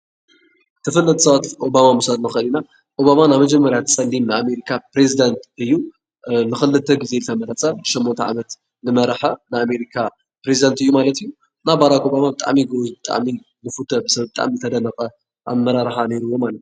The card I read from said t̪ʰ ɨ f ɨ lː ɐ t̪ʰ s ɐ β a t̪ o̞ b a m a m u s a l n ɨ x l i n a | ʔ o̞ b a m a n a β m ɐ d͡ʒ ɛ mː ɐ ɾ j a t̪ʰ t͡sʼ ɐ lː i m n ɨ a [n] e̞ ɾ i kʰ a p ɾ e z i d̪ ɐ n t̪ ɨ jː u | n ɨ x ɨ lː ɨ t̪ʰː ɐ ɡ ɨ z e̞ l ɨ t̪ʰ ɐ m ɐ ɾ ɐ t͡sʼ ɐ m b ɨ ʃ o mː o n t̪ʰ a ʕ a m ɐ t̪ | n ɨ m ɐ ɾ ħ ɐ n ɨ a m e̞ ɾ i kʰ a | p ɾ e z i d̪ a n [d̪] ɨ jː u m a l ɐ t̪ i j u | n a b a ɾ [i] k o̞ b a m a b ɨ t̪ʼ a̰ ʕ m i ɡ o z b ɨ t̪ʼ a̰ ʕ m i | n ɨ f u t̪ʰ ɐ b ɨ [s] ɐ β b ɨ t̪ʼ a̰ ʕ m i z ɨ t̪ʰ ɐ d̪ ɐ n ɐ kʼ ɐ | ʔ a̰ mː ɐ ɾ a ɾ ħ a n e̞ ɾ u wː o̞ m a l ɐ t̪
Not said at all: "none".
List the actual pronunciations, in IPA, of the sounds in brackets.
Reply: m, t̪, a, s

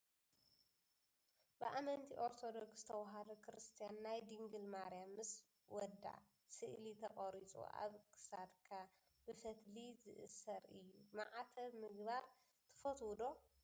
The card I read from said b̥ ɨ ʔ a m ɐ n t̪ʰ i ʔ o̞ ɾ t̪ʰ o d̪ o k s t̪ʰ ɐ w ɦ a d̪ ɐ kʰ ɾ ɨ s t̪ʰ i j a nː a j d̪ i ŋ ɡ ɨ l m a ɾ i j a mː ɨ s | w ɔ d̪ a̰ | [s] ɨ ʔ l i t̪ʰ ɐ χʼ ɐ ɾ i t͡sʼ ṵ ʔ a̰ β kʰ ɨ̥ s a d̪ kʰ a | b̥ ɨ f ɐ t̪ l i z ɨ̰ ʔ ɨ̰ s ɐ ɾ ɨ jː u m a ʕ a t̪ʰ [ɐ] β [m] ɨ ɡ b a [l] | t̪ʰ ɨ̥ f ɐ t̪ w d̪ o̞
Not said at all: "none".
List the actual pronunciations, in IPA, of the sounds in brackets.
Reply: s, ɐ, m, ɾ

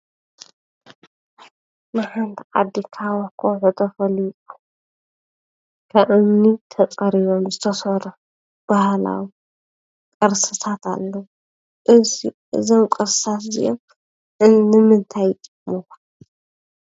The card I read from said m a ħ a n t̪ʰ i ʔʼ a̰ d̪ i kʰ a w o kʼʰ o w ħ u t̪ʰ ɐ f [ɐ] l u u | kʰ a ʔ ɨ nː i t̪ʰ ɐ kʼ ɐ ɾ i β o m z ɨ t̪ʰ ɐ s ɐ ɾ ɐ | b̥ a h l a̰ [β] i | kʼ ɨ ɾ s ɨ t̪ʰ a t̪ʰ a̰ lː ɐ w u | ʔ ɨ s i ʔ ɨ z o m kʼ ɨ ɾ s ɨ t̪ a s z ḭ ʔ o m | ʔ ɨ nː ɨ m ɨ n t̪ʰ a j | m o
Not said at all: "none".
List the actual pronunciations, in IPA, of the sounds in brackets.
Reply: ɐ, w

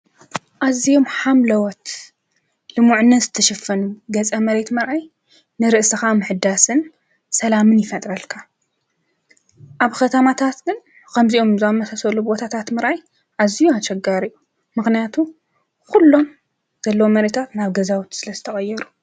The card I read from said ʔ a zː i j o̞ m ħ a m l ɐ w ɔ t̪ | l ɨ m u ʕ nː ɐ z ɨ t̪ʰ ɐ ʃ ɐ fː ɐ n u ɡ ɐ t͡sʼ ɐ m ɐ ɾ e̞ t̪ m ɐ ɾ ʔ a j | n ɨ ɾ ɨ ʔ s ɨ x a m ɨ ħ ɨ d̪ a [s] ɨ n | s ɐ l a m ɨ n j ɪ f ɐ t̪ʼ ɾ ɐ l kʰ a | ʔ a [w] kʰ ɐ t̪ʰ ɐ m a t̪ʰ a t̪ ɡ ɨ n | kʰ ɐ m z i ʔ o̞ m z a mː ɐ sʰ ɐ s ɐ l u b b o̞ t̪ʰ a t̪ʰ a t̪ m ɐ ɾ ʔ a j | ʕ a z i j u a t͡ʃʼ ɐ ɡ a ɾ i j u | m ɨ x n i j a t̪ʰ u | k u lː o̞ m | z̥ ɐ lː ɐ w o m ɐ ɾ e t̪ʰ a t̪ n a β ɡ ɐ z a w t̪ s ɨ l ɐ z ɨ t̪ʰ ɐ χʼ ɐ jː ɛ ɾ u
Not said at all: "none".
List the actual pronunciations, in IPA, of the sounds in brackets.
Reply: s, β

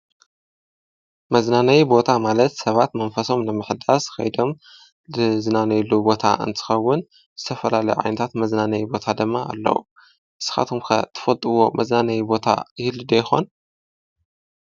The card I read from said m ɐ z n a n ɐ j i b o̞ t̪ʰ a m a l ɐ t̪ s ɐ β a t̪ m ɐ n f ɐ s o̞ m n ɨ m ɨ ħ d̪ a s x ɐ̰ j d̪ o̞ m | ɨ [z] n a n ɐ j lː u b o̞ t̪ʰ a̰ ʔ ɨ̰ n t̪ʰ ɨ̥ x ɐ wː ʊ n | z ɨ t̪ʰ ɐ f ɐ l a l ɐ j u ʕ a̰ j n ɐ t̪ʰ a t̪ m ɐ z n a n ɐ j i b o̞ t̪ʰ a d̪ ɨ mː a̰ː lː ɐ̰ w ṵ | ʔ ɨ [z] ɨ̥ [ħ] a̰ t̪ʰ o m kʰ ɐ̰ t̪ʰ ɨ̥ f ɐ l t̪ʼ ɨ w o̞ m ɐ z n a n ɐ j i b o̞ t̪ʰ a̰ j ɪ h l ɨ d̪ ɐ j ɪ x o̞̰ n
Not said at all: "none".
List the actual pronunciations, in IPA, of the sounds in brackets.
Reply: z, s, x

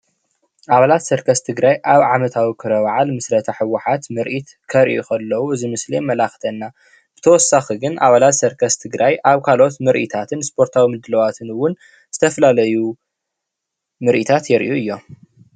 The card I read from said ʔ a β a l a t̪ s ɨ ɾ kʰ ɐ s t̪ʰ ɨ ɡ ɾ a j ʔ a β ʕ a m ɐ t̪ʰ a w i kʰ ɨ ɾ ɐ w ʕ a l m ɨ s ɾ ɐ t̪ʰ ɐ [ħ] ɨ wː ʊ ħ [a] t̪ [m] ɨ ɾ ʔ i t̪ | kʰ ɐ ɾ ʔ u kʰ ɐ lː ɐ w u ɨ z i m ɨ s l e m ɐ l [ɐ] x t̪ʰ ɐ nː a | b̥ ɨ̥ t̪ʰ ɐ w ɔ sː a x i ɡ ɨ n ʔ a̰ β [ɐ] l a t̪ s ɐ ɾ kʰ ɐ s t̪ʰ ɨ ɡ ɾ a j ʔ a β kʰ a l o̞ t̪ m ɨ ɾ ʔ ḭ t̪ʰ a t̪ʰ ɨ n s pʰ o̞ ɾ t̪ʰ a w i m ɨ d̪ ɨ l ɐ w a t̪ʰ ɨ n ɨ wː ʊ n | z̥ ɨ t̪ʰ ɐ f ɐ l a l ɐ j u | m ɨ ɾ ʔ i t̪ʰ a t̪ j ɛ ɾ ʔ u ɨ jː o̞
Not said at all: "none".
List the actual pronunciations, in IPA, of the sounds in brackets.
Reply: ħ, a, m, a, a

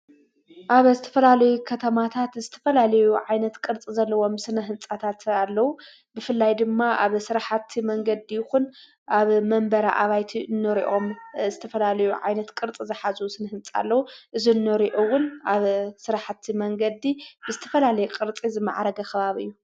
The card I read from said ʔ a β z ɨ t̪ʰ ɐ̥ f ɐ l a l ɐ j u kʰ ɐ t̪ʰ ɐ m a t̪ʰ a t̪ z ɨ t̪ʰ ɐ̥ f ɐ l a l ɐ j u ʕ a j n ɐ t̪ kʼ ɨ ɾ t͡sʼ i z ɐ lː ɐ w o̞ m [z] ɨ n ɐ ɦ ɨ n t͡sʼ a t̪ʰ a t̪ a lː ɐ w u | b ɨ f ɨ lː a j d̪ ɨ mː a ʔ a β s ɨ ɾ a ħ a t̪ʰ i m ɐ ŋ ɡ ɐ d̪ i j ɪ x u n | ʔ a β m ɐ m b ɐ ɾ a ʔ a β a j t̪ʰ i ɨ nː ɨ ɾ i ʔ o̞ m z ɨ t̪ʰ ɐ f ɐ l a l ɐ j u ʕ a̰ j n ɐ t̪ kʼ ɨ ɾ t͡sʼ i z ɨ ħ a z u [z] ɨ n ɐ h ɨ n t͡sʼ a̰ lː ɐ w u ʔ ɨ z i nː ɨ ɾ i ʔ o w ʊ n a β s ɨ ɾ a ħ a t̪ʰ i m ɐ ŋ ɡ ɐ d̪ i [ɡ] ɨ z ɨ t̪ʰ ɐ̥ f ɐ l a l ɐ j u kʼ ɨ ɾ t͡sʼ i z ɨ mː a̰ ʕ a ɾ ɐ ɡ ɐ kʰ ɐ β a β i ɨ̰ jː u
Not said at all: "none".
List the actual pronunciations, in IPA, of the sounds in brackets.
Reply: s, s, b

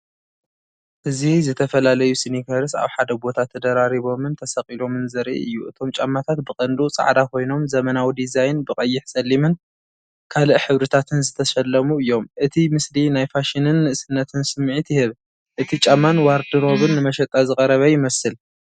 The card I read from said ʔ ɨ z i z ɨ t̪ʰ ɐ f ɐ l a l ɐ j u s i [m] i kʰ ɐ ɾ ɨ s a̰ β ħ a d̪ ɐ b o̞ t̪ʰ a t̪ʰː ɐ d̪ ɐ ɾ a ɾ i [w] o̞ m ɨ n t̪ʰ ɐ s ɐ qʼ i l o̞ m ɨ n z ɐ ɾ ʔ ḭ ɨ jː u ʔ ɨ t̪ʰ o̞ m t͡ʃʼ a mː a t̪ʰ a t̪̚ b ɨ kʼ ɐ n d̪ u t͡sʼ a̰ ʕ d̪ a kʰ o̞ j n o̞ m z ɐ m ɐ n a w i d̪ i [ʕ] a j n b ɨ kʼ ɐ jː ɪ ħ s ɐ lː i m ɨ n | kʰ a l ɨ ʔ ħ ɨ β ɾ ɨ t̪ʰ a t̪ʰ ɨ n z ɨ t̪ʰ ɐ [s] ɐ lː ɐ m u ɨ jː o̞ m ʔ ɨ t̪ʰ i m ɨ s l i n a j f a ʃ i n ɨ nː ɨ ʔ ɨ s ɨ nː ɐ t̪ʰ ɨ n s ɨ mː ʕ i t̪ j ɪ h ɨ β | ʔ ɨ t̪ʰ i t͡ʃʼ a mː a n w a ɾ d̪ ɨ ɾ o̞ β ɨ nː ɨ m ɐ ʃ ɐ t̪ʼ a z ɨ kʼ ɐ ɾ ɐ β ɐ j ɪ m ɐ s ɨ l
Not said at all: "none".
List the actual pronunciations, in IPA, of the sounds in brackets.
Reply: n, β, z, ʃ

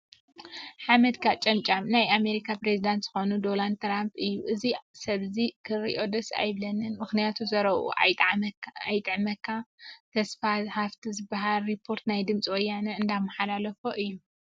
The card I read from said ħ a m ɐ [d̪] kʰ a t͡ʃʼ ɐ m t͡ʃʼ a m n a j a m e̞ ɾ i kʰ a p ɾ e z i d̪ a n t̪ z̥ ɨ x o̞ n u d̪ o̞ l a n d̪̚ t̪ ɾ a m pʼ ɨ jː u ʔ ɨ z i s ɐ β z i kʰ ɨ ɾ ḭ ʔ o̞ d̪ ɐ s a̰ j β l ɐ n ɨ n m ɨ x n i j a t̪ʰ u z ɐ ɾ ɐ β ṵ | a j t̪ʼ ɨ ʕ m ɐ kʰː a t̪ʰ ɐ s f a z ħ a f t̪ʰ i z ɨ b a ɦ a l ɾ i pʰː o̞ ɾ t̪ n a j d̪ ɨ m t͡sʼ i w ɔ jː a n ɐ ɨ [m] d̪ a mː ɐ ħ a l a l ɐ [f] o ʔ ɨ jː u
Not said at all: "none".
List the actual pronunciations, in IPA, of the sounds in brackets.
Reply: d̪, n, f

